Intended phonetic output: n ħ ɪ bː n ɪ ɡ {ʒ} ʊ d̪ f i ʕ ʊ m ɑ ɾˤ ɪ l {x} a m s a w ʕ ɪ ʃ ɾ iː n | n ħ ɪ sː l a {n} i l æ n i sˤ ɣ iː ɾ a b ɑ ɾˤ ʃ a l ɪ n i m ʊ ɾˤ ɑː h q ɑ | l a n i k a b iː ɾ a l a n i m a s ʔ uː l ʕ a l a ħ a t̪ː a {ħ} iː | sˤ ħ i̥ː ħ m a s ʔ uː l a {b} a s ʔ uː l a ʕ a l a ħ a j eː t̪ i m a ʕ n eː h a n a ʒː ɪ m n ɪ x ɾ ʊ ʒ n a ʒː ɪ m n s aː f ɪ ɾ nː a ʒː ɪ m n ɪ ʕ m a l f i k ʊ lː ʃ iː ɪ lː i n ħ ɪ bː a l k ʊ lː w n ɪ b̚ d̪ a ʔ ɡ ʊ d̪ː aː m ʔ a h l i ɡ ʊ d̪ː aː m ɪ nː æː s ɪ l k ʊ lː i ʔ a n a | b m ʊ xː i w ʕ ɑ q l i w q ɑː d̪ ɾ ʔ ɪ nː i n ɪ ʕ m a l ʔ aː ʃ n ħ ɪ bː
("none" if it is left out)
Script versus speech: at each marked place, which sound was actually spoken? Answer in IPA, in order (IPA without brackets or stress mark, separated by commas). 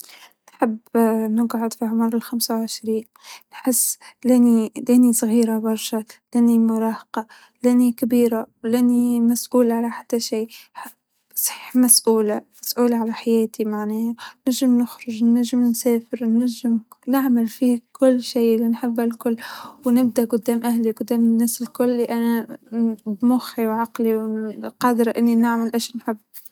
ʕ, x, n, ʃ, m